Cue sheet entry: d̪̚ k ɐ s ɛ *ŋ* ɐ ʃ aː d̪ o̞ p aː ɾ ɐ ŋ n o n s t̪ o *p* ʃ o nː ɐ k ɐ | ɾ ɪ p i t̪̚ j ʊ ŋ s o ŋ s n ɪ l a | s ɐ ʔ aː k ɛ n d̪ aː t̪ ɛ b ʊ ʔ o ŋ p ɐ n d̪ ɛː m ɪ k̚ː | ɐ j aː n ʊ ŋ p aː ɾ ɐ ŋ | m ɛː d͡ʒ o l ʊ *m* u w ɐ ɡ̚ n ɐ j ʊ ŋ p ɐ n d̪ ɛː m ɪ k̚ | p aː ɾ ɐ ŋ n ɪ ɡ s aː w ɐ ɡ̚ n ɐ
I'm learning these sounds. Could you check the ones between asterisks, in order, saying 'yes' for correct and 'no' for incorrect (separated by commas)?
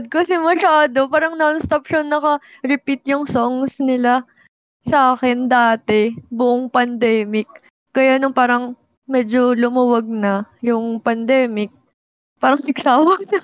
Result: no, yes, yes